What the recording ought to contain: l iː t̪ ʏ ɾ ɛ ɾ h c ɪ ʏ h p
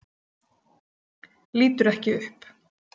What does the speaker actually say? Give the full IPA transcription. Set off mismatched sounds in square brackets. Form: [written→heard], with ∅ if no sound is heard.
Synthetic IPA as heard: l iː t̪ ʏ ɾ ɛ [ɾ→∅] h c ɪ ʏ h p